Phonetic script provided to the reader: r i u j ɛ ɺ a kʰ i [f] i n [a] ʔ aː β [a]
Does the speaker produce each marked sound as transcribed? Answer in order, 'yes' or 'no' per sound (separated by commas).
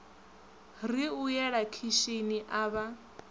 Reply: no, no, yes